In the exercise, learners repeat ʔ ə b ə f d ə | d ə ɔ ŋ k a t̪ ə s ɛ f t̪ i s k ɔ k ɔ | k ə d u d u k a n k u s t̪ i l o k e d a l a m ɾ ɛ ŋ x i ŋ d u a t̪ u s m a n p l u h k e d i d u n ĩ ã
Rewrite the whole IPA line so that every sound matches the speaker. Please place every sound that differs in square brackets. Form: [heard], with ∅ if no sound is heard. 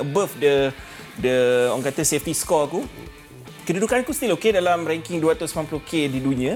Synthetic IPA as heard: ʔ ə b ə f d ə | d ə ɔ ŋ k a t̪ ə s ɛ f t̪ i s k ɔ k [u] | k ə d u d u k a n k u s t̪ i l o k e d a l a m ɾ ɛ ŋ [k] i ŋ d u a t̪ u s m a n p l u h k e d i d u n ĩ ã